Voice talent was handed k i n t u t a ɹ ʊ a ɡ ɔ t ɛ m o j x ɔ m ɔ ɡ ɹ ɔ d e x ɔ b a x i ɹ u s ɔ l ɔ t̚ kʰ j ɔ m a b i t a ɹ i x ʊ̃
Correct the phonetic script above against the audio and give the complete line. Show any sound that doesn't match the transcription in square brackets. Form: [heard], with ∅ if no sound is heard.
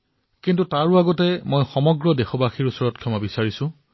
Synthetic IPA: k i n t u t a ɹ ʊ a ɡ ɔ t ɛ m o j x ɔ m ɔ ɡ ɹ ɔ d e x ɔ b a x i ɹ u s ɔ [ɹ] ɔ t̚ kʰ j ɔ m a b i [s] a ɹ i [s] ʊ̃